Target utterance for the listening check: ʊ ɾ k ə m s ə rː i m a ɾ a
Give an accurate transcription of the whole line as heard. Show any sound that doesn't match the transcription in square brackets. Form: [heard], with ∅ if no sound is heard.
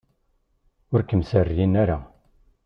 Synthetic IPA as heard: ʊ ɾ k ə m s ə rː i [n] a ɾ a